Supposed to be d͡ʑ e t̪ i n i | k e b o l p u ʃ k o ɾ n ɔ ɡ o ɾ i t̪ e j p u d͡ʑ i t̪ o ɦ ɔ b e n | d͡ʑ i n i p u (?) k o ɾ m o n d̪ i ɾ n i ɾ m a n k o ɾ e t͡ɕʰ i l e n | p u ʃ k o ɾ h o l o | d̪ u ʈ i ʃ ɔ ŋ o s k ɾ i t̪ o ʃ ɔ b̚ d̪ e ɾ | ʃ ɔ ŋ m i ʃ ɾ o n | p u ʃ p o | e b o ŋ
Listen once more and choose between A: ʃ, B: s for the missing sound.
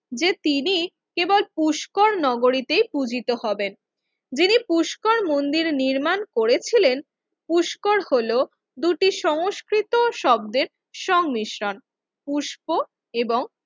A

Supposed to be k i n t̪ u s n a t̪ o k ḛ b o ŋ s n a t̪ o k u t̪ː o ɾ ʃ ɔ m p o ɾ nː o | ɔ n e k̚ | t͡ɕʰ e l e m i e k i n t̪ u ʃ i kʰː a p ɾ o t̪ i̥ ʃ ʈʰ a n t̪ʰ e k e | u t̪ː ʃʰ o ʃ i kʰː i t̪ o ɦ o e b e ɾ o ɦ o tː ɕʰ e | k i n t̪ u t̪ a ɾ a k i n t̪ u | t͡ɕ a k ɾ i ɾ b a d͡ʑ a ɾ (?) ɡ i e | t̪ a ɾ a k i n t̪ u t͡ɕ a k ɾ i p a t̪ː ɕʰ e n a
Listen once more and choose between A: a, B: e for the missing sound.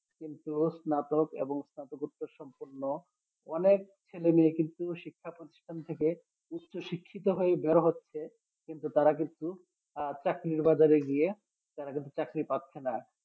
B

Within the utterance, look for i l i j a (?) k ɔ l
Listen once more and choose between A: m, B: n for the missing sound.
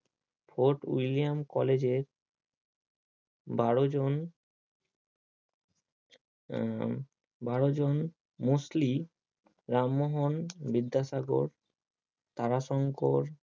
A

